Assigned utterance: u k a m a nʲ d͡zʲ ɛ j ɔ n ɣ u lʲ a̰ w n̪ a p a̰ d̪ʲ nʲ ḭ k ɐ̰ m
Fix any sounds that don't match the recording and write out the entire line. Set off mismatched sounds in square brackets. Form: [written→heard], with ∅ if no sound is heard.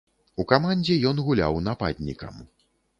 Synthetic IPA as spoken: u k a m a nʲ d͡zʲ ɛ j ɔ n ɣ u lʲ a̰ w n̪ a p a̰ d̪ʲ nʲ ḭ k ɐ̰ m